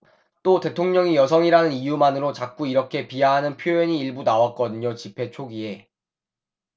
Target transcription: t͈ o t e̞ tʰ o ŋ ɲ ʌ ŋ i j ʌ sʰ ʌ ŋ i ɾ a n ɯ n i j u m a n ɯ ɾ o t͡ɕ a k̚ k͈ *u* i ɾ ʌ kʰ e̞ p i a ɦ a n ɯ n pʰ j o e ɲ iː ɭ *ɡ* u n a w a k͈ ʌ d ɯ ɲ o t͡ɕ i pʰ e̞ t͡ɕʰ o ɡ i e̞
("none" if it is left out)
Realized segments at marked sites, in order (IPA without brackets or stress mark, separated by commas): u, b